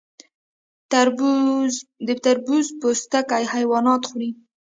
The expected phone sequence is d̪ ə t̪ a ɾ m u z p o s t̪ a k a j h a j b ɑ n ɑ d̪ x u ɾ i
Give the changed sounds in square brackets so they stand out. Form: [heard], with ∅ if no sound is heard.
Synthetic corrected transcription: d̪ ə t̪ a ɾ [b] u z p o s t̪ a k a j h a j [w] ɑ n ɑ [t̪] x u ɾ i